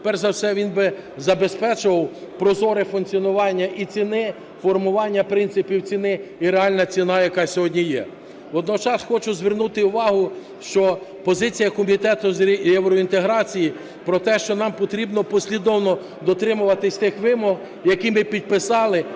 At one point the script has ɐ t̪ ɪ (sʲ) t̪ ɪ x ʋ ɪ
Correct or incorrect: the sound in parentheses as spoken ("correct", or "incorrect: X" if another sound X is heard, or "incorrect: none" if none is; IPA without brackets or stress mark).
correct